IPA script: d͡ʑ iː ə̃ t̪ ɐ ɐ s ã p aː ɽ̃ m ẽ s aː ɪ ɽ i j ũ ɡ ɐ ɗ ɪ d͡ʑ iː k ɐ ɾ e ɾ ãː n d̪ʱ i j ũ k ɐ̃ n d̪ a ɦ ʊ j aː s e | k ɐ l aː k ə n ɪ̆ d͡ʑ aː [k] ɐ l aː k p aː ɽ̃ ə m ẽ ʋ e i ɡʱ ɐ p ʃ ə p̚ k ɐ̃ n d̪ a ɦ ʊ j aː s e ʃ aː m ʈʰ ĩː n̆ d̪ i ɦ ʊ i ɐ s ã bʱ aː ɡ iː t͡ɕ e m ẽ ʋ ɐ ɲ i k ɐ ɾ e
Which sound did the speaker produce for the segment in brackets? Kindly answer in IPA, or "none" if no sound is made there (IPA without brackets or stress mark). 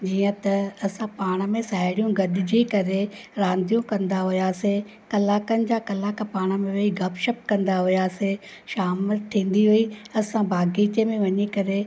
k